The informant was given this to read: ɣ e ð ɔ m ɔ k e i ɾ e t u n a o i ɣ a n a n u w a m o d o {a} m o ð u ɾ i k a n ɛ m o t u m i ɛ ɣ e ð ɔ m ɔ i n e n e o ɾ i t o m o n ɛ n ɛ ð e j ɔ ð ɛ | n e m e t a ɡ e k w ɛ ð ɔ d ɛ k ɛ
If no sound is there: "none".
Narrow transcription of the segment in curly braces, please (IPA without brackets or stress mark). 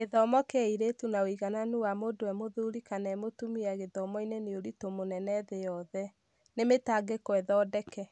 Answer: ɛ